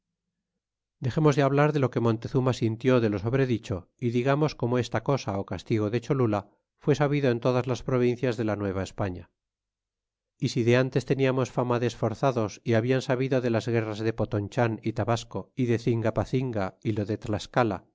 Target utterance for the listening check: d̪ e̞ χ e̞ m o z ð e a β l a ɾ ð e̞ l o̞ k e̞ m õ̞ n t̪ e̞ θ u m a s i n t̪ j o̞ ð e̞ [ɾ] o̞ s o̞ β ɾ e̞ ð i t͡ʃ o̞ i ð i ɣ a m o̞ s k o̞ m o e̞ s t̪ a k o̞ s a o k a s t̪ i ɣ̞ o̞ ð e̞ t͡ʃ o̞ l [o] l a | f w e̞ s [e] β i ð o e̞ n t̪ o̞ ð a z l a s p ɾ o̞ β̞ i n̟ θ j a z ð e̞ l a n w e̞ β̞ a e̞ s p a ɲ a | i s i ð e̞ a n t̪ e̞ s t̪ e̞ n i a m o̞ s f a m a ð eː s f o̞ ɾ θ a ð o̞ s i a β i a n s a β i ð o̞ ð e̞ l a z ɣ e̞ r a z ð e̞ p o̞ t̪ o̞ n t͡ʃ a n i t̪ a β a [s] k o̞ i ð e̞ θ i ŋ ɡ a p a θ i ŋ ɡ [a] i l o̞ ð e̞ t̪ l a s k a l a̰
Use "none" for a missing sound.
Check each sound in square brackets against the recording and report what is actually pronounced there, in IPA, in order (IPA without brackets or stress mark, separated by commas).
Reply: l, u, a, s, a